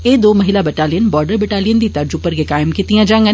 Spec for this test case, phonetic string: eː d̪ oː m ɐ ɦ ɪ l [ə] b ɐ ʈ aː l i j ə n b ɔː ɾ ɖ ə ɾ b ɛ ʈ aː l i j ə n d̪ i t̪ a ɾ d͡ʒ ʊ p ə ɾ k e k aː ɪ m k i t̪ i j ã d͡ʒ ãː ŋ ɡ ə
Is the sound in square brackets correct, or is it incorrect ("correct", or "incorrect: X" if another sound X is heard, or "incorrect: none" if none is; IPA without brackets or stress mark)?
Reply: incorrect: a